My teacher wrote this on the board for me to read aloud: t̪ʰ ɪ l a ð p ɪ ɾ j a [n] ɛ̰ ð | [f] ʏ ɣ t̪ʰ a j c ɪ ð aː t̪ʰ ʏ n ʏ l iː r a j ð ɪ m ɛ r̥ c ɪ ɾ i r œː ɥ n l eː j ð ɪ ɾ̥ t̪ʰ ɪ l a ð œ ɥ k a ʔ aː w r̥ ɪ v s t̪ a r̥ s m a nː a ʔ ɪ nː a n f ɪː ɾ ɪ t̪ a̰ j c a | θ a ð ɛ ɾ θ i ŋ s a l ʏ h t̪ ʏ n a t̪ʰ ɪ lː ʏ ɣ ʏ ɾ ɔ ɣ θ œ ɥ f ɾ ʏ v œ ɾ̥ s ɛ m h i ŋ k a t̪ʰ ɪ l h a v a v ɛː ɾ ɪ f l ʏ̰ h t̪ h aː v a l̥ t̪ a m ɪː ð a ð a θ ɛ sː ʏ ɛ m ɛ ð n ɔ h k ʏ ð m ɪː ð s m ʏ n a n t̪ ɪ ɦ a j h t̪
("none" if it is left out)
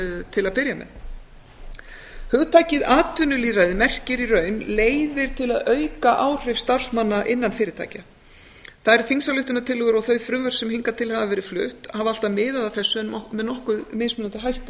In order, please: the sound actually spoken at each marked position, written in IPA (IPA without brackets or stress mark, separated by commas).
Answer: m, h